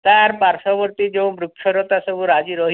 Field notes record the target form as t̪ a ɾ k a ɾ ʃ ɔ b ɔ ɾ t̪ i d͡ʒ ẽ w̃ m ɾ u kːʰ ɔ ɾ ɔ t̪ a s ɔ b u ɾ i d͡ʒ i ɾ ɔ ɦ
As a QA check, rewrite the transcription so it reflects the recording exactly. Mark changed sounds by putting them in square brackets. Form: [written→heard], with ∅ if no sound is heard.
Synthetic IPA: t̪ a ɾ [k→p] a ɾ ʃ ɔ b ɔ ɾ t̪ i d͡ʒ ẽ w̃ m ɾ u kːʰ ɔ ɾ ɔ t̪ a s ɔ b u ɾ [i→a] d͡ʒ i ɾ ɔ ɦ